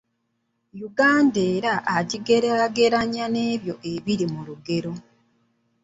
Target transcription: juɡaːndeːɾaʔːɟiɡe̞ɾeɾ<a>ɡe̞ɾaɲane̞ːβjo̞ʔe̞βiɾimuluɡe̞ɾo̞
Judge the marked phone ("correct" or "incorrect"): correct